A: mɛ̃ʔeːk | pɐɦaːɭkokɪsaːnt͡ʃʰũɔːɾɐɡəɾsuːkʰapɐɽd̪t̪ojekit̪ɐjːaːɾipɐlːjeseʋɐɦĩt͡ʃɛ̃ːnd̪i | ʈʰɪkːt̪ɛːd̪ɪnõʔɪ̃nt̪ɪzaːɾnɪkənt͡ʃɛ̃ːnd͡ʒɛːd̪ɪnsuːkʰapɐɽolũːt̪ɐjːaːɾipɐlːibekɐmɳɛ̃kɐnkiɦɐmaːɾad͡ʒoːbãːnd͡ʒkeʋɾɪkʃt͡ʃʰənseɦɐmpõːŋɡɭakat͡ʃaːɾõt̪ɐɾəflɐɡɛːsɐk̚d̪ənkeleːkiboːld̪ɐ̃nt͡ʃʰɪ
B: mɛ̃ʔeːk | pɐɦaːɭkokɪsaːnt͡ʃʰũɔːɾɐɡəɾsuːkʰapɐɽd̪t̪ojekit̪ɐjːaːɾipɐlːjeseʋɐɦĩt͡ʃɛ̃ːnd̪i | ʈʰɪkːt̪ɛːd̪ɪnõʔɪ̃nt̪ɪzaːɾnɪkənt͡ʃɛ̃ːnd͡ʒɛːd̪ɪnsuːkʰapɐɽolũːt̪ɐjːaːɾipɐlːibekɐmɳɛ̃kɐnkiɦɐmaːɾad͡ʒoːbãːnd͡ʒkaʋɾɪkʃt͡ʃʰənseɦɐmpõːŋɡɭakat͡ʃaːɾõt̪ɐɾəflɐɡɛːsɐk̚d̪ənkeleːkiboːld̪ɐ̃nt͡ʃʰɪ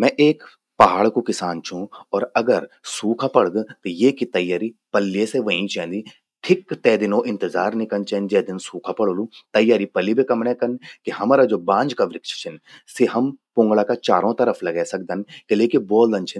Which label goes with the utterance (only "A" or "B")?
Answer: B